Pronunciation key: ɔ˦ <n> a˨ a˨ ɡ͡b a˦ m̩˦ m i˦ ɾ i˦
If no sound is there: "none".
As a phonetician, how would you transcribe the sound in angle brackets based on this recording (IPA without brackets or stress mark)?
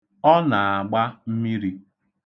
n